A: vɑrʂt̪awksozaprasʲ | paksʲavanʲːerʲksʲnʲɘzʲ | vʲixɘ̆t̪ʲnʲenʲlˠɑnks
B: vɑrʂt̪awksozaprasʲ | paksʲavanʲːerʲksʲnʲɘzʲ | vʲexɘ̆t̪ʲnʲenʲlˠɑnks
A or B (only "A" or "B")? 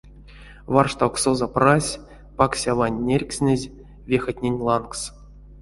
B